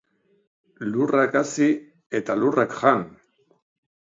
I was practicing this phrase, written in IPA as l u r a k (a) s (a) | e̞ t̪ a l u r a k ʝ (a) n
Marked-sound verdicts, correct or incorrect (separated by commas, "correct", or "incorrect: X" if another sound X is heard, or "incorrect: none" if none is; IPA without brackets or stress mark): correct, incorrect: i, correct